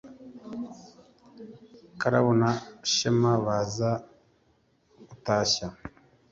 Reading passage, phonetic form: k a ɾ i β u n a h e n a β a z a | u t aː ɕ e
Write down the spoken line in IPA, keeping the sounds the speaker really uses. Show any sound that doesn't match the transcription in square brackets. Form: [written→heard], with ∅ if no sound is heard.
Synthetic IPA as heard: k a ɾ [i→a] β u n a [h→ʃ] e [n→m] a β a z a | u t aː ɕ [e→a]